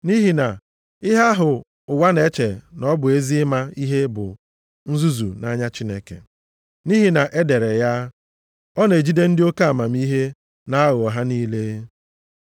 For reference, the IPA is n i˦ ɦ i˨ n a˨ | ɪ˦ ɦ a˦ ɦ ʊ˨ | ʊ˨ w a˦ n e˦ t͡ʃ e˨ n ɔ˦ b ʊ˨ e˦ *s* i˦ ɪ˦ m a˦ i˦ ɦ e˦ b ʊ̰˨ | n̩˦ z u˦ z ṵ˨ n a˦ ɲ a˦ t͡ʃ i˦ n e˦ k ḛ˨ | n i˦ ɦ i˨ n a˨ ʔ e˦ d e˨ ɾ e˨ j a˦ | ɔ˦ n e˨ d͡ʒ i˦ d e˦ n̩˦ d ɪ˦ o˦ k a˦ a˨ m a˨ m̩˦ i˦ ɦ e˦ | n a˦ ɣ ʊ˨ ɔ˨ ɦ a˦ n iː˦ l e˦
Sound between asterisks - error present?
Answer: yes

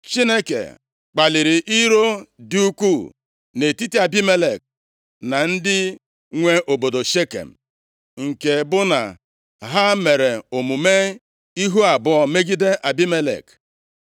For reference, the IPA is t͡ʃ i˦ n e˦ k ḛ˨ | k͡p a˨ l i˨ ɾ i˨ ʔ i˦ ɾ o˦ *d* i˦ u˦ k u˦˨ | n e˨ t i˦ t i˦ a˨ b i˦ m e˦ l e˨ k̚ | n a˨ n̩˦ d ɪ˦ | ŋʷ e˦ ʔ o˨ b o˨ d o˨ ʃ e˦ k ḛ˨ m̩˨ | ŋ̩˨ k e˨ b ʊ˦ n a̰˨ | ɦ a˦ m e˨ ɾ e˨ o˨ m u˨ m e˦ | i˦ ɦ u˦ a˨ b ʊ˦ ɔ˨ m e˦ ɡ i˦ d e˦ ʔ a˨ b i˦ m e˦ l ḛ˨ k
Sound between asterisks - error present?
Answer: no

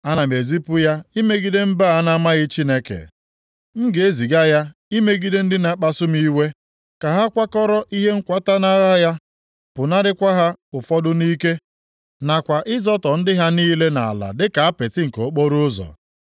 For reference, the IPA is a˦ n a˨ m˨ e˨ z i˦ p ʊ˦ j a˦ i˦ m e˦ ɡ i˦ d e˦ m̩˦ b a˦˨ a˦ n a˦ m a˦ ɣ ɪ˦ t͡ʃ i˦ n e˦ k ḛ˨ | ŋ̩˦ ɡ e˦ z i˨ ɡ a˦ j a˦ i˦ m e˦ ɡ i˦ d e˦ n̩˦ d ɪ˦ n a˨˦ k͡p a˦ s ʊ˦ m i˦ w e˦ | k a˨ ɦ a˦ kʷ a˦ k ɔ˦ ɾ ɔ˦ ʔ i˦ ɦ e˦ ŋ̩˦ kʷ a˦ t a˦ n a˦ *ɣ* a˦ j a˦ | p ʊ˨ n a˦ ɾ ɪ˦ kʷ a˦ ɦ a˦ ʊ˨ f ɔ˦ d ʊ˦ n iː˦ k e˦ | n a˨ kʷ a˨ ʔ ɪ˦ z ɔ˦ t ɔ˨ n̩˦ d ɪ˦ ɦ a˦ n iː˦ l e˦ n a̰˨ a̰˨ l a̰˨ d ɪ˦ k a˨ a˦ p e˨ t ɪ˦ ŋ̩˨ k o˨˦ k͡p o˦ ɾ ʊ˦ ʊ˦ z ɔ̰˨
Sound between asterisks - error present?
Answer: no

